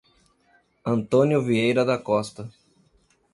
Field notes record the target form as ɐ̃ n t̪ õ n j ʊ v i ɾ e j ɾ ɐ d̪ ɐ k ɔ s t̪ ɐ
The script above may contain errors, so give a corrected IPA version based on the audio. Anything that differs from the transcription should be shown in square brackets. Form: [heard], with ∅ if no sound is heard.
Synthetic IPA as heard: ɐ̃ n t̪ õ n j ʊ v i [∅] e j ɾ ɐ d̪ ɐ k ɔ s t̪ ɐ